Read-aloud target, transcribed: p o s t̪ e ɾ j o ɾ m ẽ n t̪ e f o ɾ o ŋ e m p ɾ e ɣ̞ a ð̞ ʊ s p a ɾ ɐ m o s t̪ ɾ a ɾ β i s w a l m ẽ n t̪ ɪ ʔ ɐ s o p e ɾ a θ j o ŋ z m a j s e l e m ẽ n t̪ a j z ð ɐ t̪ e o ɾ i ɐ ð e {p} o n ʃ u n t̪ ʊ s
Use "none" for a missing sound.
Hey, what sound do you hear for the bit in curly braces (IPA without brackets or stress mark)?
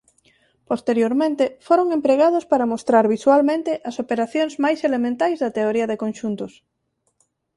k